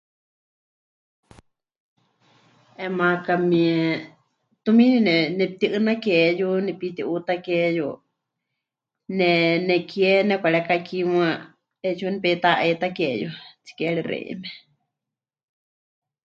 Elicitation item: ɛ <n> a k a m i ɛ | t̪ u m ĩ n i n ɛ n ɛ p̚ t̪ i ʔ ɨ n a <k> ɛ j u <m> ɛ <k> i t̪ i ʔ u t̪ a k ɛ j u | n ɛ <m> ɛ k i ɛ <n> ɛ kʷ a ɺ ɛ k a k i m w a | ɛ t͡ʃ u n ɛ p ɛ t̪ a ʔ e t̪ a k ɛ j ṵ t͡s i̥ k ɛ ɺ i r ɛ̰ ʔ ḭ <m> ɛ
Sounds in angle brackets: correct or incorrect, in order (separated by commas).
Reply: incorrect, correct, incorrect, incorrect, incorrect, correct, correct